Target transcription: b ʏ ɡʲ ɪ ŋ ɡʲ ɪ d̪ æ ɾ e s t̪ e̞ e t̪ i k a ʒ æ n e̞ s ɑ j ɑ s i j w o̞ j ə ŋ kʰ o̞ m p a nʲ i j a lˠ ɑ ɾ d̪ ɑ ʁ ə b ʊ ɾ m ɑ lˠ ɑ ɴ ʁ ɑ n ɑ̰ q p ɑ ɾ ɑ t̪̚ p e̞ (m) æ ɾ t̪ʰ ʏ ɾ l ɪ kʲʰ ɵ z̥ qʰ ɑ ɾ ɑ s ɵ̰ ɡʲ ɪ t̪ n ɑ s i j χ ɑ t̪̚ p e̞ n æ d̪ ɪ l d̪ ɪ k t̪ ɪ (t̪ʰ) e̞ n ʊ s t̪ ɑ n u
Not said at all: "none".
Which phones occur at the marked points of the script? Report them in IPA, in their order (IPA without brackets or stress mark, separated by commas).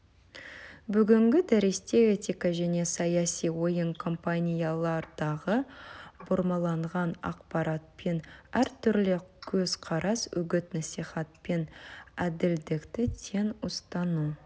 n, t̪ʰ